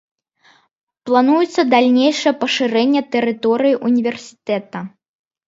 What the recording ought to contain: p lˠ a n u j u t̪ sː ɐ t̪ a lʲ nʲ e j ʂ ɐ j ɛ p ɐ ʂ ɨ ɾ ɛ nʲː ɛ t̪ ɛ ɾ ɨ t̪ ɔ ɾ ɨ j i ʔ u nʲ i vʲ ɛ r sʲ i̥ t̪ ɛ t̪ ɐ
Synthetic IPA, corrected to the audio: p lˠ a n u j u t̪ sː ɐ d̪ a lʲ nʲ e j ʂ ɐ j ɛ p ɐ ʂ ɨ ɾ ɛ nʲː ɛ t̪ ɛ ɾ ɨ t̪ ɔ ɾ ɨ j i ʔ u nʲ i vʲ ɛ r sʲ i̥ t̪ ɛ t̪ ɐ